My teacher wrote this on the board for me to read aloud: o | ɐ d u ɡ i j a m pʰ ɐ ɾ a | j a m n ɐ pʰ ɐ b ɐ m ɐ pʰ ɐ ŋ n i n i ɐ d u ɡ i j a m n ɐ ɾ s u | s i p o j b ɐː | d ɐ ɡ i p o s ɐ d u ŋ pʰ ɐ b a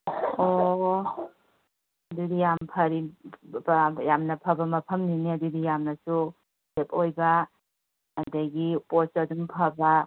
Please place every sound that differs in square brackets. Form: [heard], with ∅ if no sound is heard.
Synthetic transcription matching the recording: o | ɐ d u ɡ i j a m pʰ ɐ ɾ [i] | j a m n ɐ pʰ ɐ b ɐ m ɐ pʰ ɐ [m] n i n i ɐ d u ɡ i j a m n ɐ [∅] s u | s [e] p o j b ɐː | d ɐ ɡ i p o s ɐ d u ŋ pʰ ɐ b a